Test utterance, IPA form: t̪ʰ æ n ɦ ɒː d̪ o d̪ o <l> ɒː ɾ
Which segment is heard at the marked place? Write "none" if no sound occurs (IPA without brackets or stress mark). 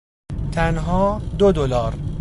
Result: l